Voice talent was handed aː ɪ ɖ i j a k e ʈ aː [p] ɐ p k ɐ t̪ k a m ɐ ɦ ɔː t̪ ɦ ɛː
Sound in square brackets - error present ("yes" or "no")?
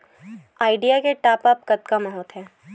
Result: no